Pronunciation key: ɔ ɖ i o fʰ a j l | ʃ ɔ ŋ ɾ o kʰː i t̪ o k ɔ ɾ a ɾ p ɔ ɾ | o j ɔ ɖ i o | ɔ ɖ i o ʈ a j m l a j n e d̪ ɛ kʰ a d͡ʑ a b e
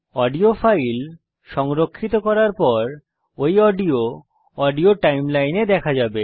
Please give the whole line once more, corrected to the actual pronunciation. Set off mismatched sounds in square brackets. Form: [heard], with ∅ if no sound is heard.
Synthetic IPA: ɔ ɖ i o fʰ a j l | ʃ ɔ ŋ ɾ o kʰː i t̪ o k ɔ ɾ a ɾ p ɔ ɾ | o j ɔ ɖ i o | ɔ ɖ i o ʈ a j m l a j n e d̪ ɛ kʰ a d͡ʑ a b e